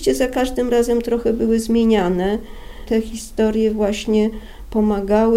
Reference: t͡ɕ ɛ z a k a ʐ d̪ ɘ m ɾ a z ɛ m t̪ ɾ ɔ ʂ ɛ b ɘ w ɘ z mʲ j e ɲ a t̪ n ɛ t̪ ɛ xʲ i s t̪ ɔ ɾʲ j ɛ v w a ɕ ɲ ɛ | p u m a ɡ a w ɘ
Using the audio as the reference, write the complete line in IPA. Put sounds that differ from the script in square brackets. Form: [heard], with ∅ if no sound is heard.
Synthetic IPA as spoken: t͡ɕ ɛ z a k a ʐ d̪ ɘ m ɾ a z ɛ m t̪ ɾ ɔ [x] ɛ b ɘ w ɘ z mʲ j e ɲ a [∅] n ɛ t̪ ɛ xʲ i s t̪ ɔ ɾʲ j ɛ v w a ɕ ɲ ɛ | p [ɔ] m a ɡ a w ɘ